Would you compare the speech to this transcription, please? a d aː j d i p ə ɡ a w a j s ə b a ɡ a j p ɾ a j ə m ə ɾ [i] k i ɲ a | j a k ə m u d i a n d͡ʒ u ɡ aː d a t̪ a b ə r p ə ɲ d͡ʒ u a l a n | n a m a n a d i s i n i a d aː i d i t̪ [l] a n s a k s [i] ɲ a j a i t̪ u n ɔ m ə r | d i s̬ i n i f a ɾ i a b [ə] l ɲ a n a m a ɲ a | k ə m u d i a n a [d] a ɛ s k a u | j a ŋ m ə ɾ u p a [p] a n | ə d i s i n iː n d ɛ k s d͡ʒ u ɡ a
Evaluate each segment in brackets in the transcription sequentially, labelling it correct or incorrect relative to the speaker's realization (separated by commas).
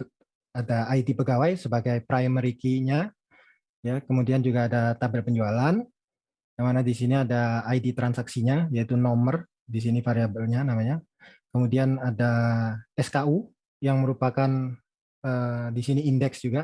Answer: correct, incorrect, correct, correct, correct, incorrect